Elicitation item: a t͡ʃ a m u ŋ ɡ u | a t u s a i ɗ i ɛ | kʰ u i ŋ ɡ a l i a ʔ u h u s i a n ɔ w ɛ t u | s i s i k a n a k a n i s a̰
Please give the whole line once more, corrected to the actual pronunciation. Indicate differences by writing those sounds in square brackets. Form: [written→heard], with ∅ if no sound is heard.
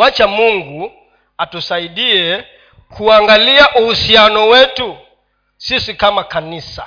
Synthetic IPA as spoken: a t͡ʃ a m u ŋ ɡ u | a t u s a i ɗ i ɛ | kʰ u [i→a] ŋ ɡ a l i a ʔ u h u s i a n ɔ w ɛ t u | s i s i k a [n→m] a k a n i s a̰